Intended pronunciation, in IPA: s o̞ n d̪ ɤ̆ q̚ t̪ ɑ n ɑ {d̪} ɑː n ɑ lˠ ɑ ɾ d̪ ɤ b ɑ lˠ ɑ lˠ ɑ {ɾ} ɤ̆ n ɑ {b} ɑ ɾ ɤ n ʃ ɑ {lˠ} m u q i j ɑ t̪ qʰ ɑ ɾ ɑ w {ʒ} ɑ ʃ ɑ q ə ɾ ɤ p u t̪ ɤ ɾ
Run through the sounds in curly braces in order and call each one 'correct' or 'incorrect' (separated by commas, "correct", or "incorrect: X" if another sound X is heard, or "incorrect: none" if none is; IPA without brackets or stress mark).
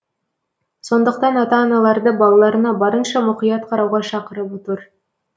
incorrect: t̪, correct, correct, incorrect: none, incorrect: ʁ